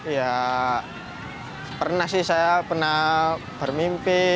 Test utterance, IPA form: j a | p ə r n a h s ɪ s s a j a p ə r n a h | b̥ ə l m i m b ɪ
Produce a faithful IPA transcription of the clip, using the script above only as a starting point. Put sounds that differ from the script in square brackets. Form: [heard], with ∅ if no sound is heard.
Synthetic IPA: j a | p ə r n a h s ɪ [h] s a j a p ə r n a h | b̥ ə [r] m i m [p] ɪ